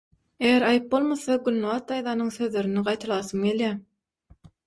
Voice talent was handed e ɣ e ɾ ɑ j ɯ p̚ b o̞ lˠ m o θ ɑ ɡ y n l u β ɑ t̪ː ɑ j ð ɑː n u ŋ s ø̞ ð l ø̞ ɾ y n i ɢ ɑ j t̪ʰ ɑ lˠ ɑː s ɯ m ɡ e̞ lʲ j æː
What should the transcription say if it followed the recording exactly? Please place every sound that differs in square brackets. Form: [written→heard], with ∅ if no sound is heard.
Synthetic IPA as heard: e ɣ e ɾ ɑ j ɯ p̚ b o̞ lˠ m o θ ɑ ɡ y n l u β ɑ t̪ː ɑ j ð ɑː n [u→ɯ] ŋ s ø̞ ð l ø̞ ɾ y n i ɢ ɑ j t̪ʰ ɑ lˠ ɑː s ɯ m ɡ e̞ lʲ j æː